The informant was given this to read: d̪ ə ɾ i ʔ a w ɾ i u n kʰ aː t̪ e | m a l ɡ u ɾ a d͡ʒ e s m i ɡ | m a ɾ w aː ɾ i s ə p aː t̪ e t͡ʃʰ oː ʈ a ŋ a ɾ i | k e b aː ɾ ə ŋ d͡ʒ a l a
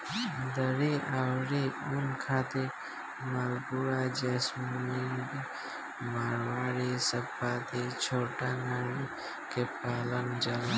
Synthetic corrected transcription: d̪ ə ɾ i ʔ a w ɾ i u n kʰ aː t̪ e | m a l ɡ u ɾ a d͡ʒ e s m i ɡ | m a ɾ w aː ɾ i s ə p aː t̪ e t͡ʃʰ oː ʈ a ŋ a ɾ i | k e p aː l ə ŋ d͡ʒ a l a

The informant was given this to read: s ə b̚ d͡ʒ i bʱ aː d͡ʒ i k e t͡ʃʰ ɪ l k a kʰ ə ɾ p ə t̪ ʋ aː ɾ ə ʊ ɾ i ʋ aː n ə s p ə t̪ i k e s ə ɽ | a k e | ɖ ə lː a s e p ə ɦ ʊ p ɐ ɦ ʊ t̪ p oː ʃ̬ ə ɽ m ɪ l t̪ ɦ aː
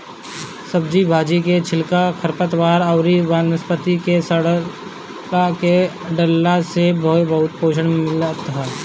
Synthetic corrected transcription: s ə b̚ d͡ʒ i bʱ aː d͡ʒ i k e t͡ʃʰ ɪ l k a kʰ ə ɾ p ə t̪ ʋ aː ɾ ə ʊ ɾ i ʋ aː n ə s p ə t̪ i k e s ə ɽ | a k e | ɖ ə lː a s e b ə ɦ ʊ b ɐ ɦ ʊ t̪ p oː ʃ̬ ə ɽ m ɪ l t̪ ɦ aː

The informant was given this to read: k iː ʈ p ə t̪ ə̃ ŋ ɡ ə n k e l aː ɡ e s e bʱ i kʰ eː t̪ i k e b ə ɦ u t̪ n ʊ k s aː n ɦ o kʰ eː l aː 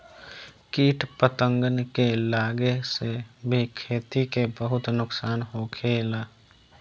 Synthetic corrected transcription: k iː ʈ p ə t̪ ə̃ ŋ ɡ ə n k e l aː ɡ e s e bʱ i kʰ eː t̪ i k e b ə ɦ ʊ t̪ n ʊ k s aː n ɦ o kʰ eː l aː

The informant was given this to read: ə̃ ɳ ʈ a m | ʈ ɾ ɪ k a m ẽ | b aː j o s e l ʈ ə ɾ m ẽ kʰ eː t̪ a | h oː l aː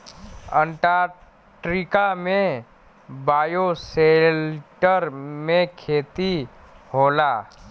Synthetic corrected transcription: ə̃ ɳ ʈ a | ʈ ɾ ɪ k a m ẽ | b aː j o s e l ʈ ə ɾ m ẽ kʰ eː t̪ i | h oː l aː

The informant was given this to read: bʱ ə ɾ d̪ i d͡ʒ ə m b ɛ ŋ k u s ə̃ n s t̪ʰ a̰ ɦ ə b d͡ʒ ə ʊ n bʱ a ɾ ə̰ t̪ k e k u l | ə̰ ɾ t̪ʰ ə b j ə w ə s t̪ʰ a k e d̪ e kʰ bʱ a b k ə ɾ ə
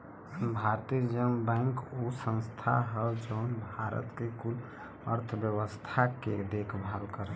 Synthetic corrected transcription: bʱ a ɾ t̪ i d͡ʒ ə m b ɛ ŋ k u s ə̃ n s t̪ʰ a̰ ɦ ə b d͡ʒ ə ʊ n bʱ a ɾ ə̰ t̪ k e k u l | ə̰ ɾ t̪ʰ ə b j ə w ə s t̪ʰ a k e d̪ e kʰ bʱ a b k ə ɾ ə

